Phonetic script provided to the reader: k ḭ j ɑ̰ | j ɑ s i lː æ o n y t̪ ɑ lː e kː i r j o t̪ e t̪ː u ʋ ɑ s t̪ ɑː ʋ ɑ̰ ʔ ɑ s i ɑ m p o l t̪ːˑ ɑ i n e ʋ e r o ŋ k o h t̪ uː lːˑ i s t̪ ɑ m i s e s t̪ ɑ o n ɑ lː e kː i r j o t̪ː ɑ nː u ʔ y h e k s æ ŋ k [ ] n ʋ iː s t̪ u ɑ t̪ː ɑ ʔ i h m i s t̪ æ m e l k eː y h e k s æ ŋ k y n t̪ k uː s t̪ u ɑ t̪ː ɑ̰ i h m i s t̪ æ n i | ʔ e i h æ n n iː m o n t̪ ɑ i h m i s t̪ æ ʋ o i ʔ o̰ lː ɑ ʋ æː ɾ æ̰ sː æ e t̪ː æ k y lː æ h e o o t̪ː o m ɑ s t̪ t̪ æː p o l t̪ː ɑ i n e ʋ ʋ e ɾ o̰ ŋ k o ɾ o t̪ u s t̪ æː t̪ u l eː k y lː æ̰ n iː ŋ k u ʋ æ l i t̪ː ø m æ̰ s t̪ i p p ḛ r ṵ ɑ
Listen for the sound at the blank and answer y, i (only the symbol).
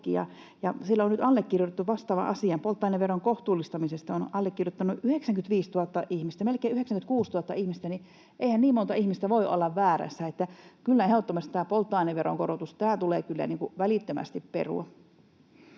y